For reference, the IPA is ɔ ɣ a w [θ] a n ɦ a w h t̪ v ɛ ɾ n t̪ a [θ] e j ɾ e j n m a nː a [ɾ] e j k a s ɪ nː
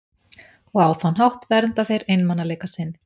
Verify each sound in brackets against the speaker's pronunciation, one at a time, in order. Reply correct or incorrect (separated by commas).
correct, correct, incorrect